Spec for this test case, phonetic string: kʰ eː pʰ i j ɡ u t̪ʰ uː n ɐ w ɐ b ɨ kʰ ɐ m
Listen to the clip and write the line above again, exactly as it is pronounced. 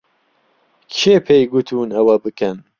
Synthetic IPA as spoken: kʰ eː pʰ e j ɡ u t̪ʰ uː n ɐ w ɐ b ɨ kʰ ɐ n